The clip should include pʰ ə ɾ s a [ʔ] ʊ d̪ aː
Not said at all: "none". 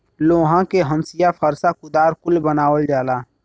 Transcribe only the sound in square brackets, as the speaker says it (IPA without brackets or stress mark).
k